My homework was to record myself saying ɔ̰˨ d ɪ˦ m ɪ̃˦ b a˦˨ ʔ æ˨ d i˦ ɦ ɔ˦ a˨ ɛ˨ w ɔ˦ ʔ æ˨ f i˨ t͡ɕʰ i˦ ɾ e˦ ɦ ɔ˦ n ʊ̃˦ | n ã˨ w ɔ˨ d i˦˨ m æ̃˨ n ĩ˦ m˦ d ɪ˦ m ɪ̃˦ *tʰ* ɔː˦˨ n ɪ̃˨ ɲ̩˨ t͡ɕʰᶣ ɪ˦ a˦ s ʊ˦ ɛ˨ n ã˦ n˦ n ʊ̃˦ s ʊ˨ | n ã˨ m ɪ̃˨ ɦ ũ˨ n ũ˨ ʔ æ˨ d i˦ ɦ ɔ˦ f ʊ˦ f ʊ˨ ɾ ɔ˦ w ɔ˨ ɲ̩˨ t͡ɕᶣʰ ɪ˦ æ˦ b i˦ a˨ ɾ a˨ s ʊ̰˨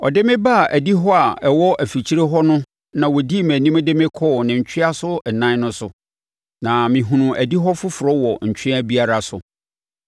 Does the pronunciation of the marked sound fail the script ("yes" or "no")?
yes